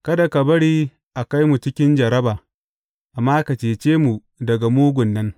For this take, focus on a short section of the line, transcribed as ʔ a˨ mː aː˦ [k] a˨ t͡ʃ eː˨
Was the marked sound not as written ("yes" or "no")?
no